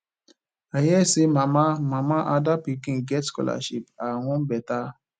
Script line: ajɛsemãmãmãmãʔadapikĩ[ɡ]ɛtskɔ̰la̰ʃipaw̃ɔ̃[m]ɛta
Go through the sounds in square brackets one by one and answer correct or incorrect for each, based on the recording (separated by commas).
correct, incorrect